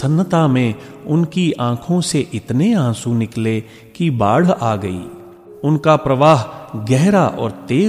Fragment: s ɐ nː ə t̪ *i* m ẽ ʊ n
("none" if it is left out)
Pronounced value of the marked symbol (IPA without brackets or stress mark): a